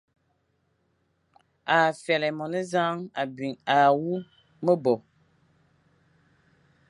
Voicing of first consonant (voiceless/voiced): voiceless